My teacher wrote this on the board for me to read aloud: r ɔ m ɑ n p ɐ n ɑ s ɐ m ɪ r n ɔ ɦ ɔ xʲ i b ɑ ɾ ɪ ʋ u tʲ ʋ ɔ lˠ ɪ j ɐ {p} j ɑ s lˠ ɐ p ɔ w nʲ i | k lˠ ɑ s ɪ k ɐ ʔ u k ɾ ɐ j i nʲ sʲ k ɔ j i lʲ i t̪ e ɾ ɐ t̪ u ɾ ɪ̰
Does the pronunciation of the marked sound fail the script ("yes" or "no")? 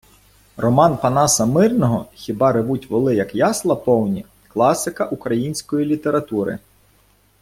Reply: yes